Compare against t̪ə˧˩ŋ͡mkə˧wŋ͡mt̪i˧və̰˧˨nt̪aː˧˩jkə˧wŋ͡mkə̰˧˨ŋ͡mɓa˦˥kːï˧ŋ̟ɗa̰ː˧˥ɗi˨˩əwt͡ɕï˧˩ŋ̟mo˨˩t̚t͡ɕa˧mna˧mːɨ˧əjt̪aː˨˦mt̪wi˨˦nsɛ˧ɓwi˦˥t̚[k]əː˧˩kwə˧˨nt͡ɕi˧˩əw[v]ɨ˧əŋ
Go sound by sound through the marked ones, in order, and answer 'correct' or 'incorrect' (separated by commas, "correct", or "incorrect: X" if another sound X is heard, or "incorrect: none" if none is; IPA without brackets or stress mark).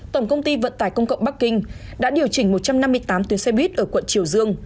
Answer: incorrect: ʔ, incorrect: z